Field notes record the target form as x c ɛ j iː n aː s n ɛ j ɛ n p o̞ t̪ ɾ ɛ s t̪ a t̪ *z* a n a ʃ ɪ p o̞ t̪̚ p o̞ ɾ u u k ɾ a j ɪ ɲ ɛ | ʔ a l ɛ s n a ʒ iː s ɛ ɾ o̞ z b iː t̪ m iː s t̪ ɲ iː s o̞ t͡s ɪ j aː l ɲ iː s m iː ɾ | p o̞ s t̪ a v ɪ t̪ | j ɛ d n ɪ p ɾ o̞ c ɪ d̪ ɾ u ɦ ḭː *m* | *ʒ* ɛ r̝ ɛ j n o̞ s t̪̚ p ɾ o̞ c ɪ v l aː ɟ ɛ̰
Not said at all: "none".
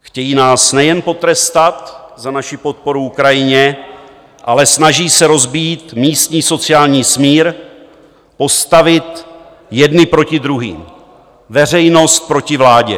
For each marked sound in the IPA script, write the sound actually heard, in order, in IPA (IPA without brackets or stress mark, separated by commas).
z, m, v